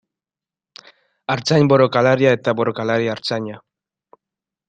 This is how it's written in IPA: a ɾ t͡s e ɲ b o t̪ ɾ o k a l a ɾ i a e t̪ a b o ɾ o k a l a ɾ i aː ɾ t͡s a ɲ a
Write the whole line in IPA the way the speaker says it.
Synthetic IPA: a ɾ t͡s a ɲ b o ɾ o k a l a ɾ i a e t̪ a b o ɾ o k a l a ɾ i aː ɾ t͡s a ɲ a